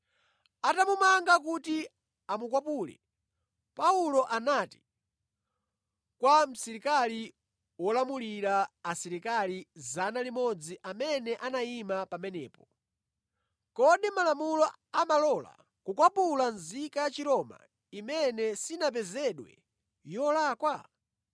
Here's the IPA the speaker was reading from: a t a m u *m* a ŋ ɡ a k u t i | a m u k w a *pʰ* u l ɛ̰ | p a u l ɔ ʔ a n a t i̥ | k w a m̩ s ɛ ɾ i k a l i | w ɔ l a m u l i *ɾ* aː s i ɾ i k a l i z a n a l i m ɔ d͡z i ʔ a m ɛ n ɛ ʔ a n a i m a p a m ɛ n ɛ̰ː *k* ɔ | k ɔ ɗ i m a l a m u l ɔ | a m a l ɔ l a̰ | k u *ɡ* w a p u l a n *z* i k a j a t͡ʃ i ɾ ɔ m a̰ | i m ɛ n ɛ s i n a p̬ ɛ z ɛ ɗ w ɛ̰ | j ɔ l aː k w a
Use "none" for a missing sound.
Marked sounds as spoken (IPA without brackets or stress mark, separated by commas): m, p, ɾ, p, k, z